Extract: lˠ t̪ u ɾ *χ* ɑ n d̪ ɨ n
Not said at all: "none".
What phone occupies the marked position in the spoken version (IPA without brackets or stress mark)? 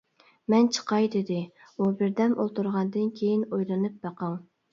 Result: ʁ